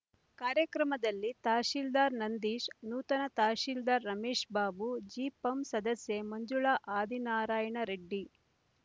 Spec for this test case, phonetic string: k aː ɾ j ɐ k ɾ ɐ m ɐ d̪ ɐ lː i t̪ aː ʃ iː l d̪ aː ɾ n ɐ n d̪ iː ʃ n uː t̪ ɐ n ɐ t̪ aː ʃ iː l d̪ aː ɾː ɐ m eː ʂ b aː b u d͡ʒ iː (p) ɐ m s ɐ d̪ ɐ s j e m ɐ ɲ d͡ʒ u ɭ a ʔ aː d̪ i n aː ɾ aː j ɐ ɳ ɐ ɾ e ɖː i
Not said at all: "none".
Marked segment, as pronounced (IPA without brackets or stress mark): p